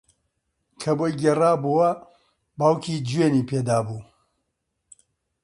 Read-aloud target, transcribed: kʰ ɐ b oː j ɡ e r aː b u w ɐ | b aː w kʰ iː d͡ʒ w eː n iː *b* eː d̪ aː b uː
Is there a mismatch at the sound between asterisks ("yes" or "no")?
yes